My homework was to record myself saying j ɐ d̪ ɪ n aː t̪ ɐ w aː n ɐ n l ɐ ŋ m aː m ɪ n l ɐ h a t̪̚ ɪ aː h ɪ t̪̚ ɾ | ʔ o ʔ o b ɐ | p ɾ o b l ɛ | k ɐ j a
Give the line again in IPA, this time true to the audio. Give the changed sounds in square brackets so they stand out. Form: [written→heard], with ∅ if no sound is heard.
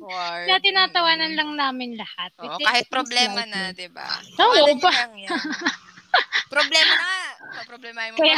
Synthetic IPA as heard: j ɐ [d̪→t̪] ɪ n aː t̪ ɐ w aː n ɐ n l ɐ ŋ [m→n] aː m ɪ n l ɐ h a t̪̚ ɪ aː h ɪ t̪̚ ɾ | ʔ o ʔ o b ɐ | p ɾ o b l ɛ | k ɐ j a